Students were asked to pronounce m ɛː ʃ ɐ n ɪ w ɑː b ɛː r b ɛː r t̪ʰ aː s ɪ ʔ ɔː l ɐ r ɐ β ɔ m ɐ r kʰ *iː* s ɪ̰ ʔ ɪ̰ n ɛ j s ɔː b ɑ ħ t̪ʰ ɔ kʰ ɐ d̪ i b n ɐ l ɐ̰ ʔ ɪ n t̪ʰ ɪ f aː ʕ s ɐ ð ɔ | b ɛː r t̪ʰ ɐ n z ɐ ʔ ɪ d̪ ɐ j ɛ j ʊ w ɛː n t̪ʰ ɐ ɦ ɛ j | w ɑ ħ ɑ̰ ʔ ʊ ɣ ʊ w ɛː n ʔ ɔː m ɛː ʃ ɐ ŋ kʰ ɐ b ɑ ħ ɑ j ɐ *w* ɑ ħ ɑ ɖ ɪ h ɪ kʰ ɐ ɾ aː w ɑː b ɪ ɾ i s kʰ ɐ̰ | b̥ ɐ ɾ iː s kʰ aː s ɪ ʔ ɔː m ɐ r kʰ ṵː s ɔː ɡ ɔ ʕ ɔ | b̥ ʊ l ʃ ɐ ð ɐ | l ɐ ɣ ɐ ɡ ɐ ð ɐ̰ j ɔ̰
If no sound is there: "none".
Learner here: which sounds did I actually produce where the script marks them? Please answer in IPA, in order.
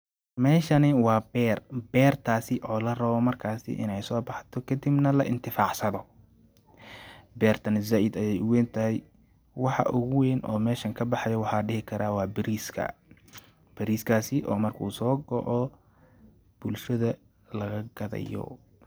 aː, w

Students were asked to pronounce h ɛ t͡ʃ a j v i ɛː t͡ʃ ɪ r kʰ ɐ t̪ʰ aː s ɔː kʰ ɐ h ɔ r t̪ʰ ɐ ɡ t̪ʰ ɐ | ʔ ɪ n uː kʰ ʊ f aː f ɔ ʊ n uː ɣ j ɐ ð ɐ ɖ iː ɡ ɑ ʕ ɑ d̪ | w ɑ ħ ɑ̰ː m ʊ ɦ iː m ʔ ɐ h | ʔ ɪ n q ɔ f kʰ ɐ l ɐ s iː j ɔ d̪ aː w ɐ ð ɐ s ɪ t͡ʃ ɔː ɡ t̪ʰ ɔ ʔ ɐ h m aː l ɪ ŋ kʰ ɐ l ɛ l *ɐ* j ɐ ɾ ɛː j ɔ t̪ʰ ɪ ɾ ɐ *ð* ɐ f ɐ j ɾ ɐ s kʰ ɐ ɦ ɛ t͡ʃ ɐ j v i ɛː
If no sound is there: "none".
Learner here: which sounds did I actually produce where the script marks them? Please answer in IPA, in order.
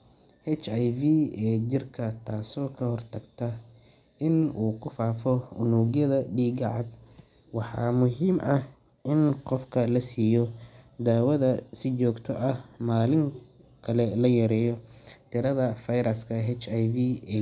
ɐ, ð

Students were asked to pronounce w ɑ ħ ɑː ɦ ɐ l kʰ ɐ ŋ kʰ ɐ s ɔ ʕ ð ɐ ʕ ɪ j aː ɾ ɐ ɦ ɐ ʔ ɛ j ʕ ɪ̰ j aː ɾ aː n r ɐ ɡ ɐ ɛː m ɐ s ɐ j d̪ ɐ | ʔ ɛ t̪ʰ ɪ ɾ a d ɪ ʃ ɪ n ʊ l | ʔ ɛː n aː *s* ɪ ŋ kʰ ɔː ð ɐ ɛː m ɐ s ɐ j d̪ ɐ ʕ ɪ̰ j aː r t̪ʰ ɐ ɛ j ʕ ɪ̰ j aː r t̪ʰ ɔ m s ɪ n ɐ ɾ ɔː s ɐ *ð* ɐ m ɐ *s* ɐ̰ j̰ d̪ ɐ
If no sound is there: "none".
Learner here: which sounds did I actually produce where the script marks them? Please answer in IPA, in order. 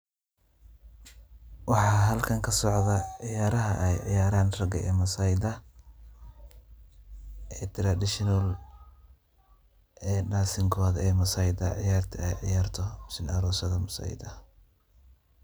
s, ð, s

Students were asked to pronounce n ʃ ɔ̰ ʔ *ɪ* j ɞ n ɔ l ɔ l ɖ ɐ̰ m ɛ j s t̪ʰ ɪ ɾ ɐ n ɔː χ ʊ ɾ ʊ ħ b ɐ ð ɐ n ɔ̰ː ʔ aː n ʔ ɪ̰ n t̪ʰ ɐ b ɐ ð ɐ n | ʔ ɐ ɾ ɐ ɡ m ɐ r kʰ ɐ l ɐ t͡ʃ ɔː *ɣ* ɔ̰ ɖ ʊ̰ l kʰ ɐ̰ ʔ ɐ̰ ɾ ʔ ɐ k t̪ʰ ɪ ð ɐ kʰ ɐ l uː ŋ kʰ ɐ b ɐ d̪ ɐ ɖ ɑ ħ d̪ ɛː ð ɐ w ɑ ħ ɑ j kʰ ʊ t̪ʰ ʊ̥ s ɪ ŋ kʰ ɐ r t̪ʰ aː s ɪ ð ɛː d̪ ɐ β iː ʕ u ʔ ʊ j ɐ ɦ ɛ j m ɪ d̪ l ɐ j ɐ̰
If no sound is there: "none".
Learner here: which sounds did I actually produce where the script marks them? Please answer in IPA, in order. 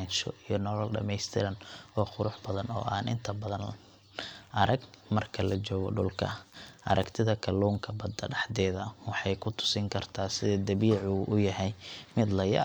i, ɣ

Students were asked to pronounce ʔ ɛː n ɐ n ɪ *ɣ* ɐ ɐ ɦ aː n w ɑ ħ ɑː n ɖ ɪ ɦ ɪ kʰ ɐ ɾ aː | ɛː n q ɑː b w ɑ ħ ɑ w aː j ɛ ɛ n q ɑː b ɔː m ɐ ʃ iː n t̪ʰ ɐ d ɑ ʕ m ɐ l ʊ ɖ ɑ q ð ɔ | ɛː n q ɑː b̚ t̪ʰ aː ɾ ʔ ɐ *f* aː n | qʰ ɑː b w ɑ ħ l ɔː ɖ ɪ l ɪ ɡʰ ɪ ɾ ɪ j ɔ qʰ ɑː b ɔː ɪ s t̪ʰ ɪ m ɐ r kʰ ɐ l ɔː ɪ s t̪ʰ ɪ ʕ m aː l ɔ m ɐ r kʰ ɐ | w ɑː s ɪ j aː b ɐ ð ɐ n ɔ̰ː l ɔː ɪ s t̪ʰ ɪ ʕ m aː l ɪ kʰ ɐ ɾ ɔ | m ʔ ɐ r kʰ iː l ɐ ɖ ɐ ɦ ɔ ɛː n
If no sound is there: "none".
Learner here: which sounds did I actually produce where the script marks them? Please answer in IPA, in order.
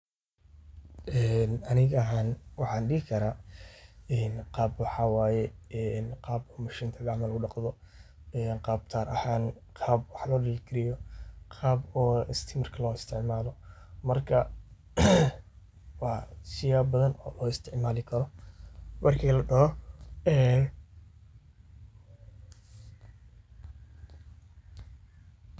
ɣ, h

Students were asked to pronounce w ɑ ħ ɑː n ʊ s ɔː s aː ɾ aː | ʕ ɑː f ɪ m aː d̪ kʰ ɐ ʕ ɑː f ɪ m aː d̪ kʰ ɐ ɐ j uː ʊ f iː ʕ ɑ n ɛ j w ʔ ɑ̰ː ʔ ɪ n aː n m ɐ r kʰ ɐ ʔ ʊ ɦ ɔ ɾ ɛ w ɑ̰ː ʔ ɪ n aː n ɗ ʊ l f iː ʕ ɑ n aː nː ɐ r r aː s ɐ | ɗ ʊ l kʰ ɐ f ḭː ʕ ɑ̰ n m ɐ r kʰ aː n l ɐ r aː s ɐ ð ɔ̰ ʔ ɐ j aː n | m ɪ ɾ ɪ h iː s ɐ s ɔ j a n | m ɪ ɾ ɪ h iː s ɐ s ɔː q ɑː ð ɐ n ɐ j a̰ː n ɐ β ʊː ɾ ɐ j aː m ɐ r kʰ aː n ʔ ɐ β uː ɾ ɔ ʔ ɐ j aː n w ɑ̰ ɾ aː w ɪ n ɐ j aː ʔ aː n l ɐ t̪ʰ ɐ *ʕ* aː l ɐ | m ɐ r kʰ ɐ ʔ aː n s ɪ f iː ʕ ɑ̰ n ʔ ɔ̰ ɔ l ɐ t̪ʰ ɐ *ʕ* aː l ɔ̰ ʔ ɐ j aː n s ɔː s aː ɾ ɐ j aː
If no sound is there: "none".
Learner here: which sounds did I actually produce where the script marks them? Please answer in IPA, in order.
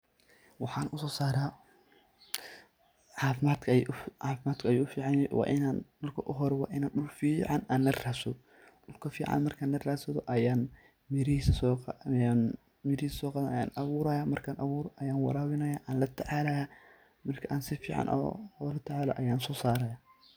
ʕ, ʕ

